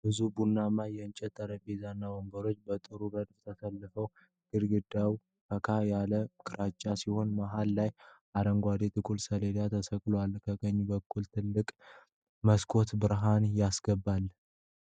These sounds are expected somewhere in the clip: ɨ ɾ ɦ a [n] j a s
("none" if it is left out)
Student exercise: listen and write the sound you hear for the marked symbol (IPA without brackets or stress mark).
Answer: n